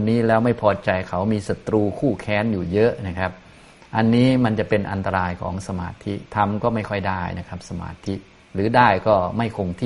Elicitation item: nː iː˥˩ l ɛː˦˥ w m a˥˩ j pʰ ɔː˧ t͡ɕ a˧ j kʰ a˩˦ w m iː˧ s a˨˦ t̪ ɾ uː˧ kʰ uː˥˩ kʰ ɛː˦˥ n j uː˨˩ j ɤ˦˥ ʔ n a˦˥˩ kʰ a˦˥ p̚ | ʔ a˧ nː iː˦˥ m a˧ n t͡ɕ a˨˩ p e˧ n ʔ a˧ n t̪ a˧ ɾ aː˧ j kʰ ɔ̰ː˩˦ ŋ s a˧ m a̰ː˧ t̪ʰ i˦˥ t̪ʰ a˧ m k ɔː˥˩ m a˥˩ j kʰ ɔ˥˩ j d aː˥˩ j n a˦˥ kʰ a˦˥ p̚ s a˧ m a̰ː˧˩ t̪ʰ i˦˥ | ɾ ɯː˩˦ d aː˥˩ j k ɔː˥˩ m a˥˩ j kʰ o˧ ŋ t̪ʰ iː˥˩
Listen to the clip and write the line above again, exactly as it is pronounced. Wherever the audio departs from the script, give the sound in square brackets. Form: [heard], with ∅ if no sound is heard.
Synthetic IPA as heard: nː [iː˦˥] l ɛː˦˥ w m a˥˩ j pʰ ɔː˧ t͡ɕ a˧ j kʰ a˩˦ w m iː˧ s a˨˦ t̪ ɾ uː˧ kʰ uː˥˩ kʰ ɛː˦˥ n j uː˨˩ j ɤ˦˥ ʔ n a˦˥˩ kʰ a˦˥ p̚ | ʔ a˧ nː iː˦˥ m a˧ n t͡ɕ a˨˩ p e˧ n ʔ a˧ n t̪ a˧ ɾ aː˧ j kʰ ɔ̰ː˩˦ ŋ s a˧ m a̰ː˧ t̪ʰ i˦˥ t̪ʰ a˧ m k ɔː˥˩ m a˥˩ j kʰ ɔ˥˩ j d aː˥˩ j n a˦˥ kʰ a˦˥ p̚ s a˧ m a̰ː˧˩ t̪ʰ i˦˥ | ɾ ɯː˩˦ d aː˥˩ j k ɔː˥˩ m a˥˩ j kʰ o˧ ŋ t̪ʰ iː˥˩